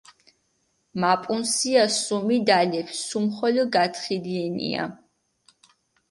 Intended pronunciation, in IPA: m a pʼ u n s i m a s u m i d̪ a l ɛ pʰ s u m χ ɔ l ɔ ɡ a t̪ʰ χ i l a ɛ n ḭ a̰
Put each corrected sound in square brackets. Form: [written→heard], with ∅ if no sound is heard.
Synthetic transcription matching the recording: m a pʼ u n s i [m→∅] a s u m i d̪ a l ɛ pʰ s u m χ ɔ l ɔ ɡ a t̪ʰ χ i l [a→i] ɛ n ḭ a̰